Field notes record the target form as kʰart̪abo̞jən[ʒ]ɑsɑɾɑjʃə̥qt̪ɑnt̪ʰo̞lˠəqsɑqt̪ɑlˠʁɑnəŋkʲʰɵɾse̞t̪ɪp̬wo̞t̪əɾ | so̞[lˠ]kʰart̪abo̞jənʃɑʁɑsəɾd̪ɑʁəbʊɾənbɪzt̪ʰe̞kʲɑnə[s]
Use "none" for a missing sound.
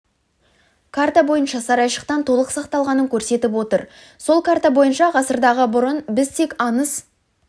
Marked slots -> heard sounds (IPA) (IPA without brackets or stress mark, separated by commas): ʃ, lˠ, s